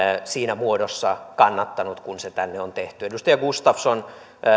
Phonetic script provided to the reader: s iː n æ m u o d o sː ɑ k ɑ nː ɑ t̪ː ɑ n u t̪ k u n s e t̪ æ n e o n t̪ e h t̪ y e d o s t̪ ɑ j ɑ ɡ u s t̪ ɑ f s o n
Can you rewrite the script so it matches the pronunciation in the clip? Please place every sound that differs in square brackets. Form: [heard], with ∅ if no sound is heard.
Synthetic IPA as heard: s iː n æ m u o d o sː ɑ k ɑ nː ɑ t̪ː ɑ n u t̪ k u n s e t̪ æ [nː] e o n t̪ e h t̪ y e d [u] s t̪ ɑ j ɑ ɡ u s t̪ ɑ f s o n